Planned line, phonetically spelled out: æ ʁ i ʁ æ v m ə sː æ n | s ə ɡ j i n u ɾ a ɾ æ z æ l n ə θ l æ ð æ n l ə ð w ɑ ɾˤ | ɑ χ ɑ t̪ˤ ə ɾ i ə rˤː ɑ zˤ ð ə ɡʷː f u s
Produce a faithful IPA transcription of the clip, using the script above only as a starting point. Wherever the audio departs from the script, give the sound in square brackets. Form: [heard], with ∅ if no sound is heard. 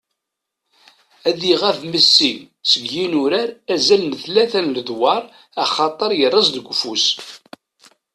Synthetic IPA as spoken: æ [ð] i ʁ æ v m ə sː [i] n | s ə ɡ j i n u ɾ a ɾ æ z æ l n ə θ l æ [θ] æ n l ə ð w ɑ ɾˤ | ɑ χ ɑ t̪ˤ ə ɾ [j] ə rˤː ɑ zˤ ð ə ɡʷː f u s

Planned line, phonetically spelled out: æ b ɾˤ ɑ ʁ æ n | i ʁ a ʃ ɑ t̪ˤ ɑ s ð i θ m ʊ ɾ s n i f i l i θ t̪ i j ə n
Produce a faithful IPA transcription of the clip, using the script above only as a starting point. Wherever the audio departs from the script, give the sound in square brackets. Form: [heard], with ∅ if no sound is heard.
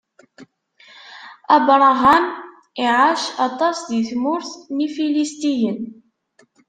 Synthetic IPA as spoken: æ b ɾˤ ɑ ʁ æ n | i [ʕ] a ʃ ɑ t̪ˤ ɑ s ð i θ m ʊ ɾ [θ] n i f i l i [s] t̪ i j ə n

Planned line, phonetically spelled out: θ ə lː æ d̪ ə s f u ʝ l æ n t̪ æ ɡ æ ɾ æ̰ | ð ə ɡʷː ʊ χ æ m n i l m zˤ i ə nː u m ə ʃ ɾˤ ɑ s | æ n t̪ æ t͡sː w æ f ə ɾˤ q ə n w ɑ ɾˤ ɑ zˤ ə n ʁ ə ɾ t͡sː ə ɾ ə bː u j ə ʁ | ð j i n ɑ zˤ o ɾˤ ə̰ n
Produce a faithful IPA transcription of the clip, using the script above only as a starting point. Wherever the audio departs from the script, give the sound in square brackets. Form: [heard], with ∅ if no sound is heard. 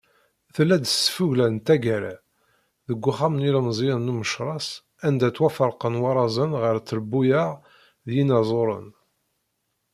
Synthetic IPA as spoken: θ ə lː æ d̪ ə s f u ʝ l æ n t̪ æ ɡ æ ɾ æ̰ | ð ə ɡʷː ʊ χ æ m n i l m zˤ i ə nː u m ə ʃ ɾˤ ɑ s | æ n [d̪] æ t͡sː w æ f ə ɾˤ q ə n w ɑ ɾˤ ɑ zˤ ə n ʁ ə ɾ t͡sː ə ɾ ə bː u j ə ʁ | ð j i n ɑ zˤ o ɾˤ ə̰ n

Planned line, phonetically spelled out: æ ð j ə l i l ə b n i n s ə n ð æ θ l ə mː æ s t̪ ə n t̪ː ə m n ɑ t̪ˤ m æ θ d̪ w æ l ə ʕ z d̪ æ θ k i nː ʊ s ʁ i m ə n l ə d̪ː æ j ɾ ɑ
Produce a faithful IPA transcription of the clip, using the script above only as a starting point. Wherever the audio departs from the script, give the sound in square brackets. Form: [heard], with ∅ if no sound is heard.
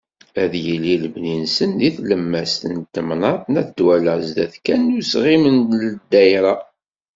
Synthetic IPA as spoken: æ ð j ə l i l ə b n i n s ə n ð [i] θ l ə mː æ s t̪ ə n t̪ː ə m n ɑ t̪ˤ [n] æ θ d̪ w æ l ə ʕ z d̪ æ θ k [æ] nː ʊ s ʁ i m ə n l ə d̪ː æ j ɾ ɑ

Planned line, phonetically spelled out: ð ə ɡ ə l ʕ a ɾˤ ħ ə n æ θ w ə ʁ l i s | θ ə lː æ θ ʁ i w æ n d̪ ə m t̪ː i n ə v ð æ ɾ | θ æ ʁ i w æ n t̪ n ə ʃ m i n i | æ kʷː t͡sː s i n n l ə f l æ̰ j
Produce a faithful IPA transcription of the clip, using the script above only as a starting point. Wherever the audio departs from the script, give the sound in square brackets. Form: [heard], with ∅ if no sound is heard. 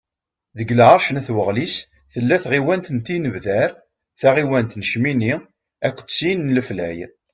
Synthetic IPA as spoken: ð ə ɡ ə l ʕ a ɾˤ [ʃ] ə n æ θ w ə ʁ l i s | θ ə lː æ θ ʁ i w æ n [t̪] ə [n] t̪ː i n ə v ð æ ɾ | θ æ ʁ i w æ n t̪ n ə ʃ m i n i | æ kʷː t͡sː s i n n l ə f l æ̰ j

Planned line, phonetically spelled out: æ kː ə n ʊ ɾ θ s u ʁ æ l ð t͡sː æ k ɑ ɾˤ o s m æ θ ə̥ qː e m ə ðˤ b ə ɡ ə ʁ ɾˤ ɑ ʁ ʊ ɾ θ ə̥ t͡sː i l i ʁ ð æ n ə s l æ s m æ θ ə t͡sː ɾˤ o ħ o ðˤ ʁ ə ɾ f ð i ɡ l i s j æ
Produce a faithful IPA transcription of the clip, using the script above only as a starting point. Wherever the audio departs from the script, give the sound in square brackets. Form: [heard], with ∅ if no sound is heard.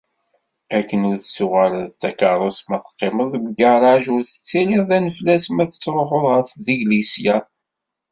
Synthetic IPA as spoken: æ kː ə n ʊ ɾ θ s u ʁ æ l ð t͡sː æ k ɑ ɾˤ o s m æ θ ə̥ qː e m ə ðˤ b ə ɡ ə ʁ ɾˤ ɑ [ʒ] ʊ ɾ θ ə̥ t͡sː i l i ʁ ð æ n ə [f] l æ s m æ θ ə t͡sː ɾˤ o ħ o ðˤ ʁ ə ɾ [θ] ð i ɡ l i s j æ

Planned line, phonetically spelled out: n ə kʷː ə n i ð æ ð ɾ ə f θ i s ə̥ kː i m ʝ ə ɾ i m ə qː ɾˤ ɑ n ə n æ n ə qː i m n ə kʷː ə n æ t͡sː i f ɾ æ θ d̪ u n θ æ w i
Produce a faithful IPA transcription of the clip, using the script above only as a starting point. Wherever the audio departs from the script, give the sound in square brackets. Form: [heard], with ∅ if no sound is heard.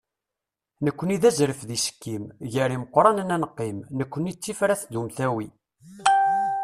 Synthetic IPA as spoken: n ə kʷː ə n i ð æ [z] ɾ ə f [ð] i s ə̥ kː i m ʝ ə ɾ i m ə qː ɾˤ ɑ n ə n æ n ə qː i m n ə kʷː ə n [i] t͡sː i f ɾ æ θ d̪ u [m] θ æ w i

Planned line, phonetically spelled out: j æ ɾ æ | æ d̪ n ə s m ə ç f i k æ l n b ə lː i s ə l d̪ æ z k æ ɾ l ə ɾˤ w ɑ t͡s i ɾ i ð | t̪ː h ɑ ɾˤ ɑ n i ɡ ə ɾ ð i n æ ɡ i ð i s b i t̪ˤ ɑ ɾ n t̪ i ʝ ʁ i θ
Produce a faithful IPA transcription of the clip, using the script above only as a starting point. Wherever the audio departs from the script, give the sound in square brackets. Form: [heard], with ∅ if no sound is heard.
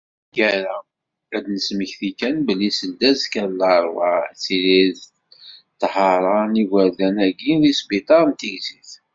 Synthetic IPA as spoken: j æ ɾ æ | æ d̪ n ə s m ə ç [θ] i k æ [∅] n b ə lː i s ə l d̪ æ z k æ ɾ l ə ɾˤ w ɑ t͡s i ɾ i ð | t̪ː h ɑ ɾˤ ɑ n i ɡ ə ɾ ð [æ] n æ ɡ i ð i s b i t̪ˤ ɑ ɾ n t̪ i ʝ [z] i θ

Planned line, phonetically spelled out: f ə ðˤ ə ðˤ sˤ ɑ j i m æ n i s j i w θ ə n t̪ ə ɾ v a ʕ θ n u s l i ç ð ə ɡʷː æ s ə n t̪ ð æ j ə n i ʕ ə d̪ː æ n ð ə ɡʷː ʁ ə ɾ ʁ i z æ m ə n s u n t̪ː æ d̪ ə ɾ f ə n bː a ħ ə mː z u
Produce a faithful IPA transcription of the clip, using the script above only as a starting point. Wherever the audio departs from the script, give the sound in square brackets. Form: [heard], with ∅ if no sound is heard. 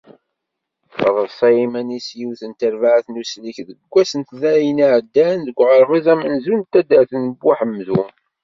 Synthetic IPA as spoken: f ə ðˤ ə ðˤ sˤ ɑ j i m æ n i s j i w θ ə n t̪ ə ɾ v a ʕ θ n u s l i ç ð ə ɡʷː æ s ə n t̪ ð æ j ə n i ʕ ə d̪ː æ n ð ə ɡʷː ʁ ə ɾ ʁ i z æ m ə n [z] u n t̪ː æ d̪ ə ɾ [θ] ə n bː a ħ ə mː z u

